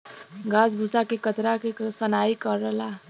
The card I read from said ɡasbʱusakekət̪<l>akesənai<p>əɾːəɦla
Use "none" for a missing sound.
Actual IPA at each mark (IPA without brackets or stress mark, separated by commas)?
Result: ɾ, k